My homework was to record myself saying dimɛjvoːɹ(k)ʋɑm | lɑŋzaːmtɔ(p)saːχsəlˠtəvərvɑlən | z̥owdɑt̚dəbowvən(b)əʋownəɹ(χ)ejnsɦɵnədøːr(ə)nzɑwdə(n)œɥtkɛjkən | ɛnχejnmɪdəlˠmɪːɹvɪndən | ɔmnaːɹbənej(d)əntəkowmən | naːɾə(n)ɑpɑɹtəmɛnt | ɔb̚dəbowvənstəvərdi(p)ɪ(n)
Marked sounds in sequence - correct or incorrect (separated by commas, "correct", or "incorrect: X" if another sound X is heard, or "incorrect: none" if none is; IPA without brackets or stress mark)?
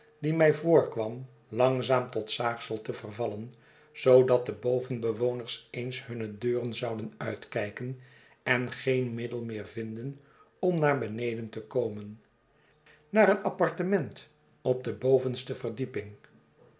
correct, incorrect: t, correct, incorrect: s, correct, correct, correct, correct, correct, incorrect: ŋ